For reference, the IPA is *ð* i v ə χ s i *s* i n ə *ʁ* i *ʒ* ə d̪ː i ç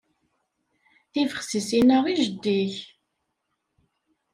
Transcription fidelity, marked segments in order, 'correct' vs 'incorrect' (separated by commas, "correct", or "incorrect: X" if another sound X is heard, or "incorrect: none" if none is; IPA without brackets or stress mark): incorrect: θ, correct, correct, correct